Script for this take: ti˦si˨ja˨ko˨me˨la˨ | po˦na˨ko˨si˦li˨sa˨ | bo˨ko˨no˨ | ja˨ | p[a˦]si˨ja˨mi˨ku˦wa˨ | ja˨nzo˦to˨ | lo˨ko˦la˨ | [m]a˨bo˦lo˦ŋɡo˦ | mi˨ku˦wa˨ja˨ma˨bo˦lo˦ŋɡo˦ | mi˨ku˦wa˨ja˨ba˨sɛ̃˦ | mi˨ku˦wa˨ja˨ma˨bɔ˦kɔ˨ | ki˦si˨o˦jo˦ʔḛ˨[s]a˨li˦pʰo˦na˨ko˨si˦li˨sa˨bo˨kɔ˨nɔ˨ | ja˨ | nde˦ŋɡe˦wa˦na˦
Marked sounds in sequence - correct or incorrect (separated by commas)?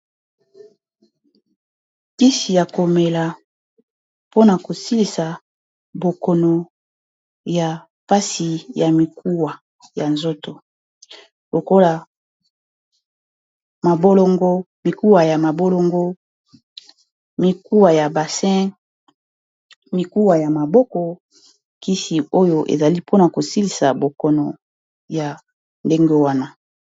correct, correct, incorrect